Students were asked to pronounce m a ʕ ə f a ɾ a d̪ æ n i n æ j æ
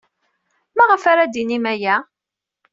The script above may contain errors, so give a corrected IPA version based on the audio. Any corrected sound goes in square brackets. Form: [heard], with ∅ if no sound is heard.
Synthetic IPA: m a [ʁ] ə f a ɾ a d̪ [i] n i [m] æ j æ